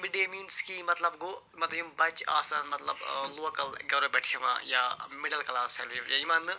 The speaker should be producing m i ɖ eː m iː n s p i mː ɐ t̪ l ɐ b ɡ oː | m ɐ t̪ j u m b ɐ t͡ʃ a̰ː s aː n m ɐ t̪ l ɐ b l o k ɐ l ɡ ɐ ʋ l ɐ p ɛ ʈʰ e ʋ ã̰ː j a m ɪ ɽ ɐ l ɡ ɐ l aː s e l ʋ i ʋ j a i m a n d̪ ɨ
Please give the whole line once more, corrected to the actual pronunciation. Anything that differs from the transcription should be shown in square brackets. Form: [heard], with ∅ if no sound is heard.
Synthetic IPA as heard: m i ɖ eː m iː n s [k] i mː ɐ t̪ l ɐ b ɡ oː | m ɐ t̪ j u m b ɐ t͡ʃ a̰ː s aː n m ɐ t̪ l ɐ b l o k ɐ l ɡ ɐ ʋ [ɾ] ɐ [b] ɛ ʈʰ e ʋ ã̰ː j a m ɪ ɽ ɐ l [k] ɐ l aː s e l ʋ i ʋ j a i m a n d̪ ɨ